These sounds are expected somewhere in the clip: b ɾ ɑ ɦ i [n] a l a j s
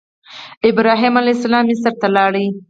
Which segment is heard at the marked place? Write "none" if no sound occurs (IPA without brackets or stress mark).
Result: m